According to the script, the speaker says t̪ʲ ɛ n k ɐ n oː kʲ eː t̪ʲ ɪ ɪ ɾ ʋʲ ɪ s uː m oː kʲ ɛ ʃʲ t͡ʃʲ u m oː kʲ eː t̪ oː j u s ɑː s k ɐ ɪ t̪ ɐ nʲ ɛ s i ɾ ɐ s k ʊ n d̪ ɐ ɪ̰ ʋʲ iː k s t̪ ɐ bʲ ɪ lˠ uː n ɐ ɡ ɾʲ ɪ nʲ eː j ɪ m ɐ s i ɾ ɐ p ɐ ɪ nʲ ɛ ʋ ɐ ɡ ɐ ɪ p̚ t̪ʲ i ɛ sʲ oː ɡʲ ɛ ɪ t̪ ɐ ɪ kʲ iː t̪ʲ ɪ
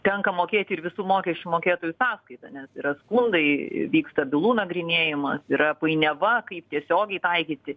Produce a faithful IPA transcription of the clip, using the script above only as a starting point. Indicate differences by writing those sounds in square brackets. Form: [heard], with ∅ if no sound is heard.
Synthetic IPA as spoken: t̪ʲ ɛ [ŋ] k ɐ [m] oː kʲ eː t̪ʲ ɪ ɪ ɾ ʋʲ ɪ s uː m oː kʲ ɛ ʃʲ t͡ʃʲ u m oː kʲ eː t̪ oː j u s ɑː s k ɐ ɪ t̪ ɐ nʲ ɛ s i ɾ ɐ s k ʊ n d̪ ɐ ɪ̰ ʋʲ iː k s t̪ ɐ bʲ ɪ lˠ uː n ɐ ɡ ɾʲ ɪ nʲ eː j ɪ m ɐ s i ɾ ɐ p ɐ ɪ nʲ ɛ ʋ ɐ [k] ɐ ɪ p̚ t̪ʲ i ɛ sʲ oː ɡʲ ɛ ɪ t̪ ɐ ɪ kʲ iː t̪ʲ ɪ